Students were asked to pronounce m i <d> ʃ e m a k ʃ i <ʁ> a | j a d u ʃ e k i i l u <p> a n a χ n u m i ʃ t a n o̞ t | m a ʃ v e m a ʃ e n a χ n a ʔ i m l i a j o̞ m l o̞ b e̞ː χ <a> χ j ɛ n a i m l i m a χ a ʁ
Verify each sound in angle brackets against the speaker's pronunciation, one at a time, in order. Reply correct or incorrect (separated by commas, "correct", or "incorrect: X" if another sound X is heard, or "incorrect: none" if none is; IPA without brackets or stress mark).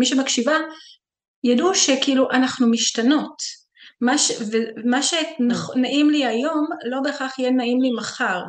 incorrect: none, incorrect: v, incorrect: ʔ, correct